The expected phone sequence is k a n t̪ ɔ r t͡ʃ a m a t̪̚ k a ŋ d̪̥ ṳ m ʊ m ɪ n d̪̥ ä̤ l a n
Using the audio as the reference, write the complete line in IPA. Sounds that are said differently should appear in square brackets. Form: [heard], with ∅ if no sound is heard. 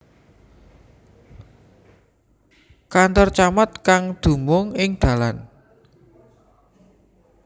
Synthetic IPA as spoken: k a n t̪ ɔ r t͡ʃ a m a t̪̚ k a ŋ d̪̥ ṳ m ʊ [ŋ] ɪ [ŋ] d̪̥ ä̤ l a n